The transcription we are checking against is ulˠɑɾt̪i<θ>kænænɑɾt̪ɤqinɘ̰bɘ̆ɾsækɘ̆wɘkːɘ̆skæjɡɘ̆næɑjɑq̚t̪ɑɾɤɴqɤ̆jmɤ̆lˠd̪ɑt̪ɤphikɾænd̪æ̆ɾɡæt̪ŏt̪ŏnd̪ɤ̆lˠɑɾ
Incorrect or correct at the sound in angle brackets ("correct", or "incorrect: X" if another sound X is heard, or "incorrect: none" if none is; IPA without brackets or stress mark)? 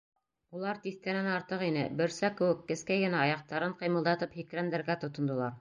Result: correct